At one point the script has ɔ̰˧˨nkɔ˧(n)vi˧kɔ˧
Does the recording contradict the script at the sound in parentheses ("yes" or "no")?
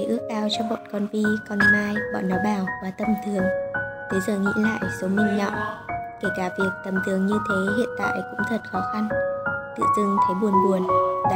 no